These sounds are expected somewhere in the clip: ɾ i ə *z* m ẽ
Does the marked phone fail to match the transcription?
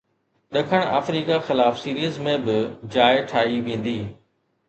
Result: no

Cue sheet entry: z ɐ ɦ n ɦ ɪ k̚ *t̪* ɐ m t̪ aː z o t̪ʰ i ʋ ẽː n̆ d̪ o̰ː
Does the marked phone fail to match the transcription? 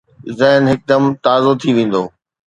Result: yes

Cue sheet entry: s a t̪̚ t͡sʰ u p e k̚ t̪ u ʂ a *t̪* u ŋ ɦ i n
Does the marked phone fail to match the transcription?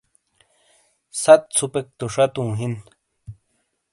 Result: no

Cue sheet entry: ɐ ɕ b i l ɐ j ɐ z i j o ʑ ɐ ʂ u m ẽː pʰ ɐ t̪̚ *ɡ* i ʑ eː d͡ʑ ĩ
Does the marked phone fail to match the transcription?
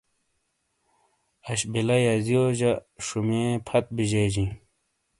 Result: yes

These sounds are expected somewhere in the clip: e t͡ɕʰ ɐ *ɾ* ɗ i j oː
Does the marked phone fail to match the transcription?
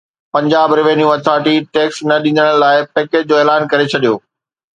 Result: yes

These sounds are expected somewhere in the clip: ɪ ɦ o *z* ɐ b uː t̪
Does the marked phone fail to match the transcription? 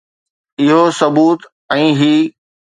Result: yes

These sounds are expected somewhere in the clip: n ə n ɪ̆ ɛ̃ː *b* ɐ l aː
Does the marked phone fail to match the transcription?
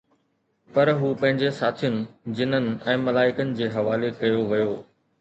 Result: yes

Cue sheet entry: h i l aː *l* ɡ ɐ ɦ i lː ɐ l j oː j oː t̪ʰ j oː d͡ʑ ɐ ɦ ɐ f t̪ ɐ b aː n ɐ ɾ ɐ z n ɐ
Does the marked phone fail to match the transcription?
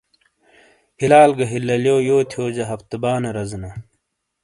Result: no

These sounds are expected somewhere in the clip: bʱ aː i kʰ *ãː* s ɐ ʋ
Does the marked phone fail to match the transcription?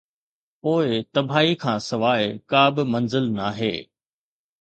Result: no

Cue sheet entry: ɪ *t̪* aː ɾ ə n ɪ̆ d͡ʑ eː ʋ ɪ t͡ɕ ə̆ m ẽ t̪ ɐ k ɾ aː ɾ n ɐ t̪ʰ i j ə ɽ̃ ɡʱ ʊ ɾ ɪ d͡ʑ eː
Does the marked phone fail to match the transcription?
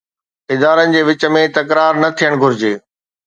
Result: yes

